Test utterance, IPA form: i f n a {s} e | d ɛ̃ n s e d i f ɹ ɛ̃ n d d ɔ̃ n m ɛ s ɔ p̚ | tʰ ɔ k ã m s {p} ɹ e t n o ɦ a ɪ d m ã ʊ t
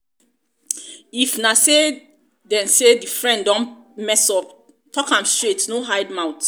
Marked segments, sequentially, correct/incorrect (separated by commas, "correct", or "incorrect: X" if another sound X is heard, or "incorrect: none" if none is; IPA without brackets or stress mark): correct, incorrect: t